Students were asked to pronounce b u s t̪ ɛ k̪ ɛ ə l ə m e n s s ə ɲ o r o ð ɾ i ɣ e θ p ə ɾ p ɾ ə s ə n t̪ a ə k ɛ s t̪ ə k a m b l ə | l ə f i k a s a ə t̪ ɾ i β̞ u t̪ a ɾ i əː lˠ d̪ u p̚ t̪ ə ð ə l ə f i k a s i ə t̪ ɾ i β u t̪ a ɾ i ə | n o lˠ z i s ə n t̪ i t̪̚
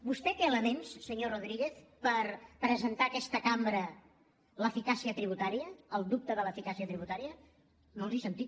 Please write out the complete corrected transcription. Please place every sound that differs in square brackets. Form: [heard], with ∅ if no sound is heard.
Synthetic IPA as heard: b u s t̪ ɛ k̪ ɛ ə l ə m e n s s ə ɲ o r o ð ɾ i ɣ e θ p ə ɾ p ɾ ə [z] ə n t̪ a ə k ɛ s t̪ ə k a m b [ɾ] ə | l ə f i k a s [i] ə t̪ ɾ i β̞ u t̪ a ɾ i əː lˠ d̪ u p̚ t̪ ə ð ə l ə f i k a s i ə t̪ ɾ i β u t̪ a ɾ i ə | n o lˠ z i s ə n t̪ i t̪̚